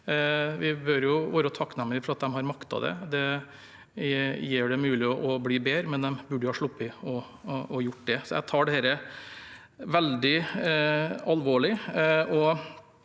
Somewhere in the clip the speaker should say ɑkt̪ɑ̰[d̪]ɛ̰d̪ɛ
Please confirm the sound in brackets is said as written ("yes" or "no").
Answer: yes